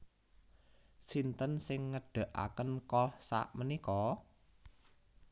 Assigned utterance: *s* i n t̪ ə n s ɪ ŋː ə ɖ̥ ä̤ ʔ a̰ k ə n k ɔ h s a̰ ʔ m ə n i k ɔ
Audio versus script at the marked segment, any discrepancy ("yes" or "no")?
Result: no